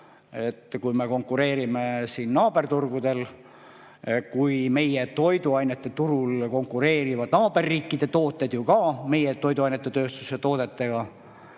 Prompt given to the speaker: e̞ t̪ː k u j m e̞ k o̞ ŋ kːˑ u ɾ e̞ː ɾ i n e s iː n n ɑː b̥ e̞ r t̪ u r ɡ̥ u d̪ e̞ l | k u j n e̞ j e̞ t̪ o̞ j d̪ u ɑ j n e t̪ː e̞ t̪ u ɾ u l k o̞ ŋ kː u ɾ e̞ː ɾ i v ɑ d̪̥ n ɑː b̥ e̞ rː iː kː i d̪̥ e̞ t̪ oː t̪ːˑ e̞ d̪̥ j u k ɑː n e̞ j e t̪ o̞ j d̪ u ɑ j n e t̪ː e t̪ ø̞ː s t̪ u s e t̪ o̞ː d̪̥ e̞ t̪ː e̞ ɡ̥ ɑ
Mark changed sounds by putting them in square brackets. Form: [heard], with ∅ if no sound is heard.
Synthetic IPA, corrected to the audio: e̞ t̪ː k u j m e̞ k o̞ ŋ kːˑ u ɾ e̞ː ɾ i [m] e s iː n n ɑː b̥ e̞ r t̪ u r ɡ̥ u d̪ e̞ l | k u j [m] e̞ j e̞ t̪ o̞ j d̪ u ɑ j n e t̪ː e̞ t̪ u ɾ u l k o̞ ŋ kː u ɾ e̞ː ɾ i v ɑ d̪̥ n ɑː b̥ e̞ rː iː kː i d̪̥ e̞ t̪ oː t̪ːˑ e̞ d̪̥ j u k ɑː [m] e̞ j e t̪ o̞ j d̪ u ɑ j n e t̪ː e t̪ ø̞ː s t̪ u s e t̪ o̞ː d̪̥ e̞ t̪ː e̞ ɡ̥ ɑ